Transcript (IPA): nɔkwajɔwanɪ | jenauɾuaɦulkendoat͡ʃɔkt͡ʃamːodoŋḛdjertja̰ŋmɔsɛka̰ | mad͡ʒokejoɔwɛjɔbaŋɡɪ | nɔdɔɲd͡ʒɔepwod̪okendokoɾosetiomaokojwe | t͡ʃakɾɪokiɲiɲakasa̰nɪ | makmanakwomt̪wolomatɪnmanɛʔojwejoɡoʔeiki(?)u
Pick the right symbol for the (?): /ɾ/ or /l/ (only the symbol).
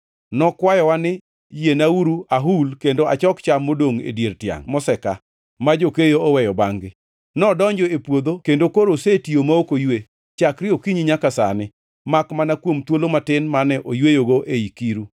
ɾ